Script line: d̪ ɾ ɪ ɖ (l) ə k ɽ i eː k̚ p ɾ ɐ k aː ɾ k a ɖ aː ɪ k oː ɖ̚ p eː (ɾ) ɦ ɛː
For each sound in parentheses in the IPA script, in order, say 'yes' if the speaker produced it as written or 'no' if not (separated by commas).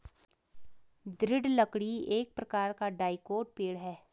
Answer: yes, no